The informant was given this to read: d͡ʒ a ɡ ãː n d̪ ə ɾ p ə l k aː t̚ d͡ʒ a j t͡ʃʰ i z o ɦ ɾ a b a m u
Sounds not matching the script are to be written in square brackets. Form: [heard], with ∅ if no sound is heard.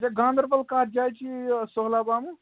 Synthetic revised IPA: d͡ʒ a ɡ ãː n d̪ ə ɾ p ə l k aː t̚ d͡ʒ a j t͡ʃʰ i [s] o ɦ [l] a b a m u